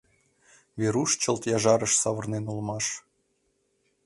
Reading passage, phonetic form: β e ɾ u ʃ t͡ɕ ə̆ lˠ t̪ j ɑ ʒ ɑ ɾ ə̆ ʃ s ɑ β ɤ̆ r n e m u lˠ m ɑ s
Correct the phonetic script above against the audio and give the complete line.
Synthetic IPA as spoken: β e ɾ u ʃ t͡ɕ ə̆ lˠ t̪ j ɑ ʒ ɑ ɾ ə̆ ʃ s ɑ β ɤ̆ r n e n u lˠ m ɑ ʃ